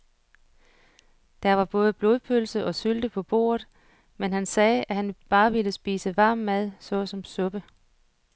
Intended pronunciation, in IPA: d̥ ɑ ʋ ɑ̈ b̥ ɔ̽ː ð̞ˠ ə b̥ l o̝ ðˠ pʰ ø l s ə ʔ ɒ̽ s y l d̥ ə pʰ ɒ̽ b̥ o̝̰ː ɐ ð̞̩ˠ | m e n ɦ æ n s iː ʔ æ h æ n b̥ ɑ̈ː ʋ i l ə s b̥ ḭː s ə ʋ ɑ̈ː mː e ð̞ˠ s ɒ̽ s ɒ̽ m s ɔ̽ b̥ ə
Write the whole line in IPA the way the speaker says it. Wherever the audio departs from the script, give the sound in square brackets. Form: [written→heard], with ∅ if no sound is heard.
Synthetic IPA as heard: d̥ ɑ ʋ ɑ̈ b̥ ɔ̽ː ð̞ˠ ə b̥ l o̝ ðˠ pʰ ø l s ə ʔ ɒ̽ s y l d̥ ə pʰ ɒ̽ b̥ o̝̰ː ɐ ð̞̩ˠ | m e n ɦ æ n s [iː→ɛː] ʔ æ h æ n b̥ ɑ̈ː ʋ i l ə s b̥ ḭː s ə ʋ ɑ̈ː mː [e→æ] ð̞ˠ s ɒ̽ s ɒ̽ m s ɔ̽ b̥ ə